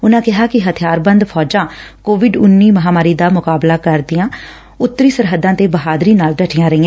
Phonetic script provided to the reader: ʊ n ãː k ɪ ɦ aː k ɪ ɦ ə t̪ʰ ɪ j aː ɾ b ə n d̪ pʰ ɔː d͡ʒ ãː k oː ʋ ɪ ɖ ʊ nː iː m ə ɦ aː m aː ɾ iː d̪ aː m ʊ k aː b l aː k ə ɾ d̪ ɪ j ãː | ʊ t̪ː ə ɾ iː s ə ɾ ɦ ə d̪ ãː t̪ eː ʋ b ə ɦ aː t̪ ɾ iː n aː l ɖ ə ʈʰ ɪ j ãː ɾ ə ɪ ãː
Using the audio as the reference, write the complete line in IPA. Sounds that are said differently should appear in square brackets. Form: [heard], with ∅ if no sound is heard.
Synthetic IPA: ʊ n ãː k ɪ ɦ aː k ɪ ɦ ə t̪ʰ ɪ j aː ɾ b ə n d̪ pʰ ɔː d͡ʒ ãː k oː ʋ ɪ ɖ ʊ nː iː m ə ɦ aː m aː ɾ iː d̪ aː m ʊ k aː b l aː k ə ɾ d̪ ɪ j ãː | ʊ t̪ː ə ɾ iː s ə ɾ ɦ ə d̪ ãː t̪ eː [∅] b ə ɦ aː [d̪] ɾ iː n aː l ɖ ə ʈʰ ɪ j ãː ɾ ə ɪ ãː